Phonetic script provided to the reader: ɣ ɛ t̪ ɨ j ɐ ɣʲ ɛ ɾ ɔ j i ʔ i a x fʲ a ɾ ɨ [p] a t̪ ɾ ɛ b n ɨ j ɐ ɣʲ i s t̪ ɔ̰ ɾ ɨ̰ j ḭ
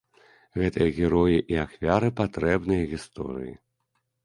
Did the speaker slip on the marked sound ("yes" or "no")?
no